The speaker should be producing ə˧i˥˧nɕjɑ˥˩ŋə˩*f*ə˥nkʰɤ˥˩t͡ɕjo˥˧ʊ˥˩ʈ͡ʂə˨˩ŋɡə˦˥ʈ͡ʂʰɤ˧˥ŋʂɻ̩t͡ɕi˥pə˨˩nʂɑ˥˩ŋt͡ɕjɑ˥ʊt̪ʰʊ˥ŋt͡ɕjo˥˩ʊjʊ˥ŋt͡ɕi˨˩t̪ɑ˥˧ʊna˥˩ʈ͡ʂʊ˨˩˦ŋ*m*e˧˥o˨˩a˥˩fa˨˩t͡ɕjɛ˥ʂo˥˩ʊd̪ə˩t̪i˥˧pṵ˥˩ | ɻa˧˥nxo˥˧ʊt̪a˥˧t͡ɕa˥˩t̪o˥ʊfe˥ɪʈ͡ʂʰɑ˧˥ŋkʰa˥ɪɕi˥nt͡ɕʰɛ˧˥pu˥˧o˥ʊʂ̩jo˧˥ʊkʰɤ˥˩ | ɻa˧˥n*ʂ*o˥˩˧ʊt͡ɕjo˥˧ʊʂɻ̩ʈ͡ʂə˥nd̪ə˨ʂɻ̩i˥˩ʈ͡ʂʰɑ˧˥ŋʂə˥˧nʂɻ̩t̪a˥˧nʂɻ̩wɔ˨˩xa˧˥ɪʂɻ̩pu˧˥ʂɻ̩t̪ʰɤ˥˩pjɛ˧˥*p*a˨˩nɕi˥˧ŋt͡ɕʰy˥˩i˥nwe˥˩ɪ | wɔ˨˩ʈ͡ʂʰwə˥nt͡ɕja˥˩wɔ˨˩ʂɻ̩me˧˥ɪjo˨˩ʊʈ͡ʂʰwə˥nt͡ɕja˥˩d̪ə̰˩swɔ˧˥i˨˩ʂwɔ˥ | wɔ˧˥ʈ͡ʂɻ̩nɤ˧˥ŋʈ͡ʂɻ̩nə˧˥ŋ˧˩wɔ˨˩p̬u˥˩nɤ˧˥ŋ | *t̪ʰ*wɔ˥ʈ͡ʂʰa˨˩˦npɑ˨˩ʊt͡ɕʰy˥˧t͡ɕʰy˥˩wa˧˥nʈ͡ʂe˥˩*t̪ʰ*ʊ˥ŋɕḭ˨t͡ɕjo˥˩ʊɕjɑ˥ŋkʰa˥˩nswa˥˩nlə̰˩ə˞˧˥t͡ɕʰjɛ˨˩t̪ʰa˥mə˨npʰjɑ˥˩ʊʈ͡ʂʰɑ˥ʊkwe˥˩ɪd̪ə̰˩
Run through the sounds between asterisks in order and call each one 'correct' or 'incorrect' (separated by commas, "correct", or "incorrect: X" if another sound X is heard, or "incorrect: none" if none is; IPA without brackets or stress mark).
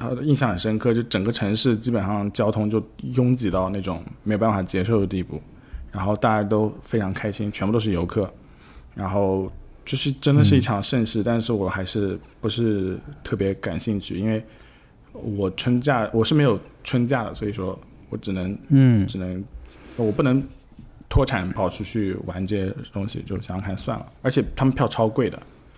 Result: incorrect: ʂ, correct, incorrect: x, incorrect: k, correct, incorrect: t̪